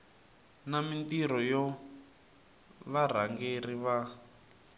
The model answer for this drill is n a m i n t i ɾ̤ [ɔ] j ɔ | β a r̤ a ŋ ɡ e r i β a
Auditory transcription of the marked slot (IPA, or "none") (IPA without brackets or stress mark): ɔ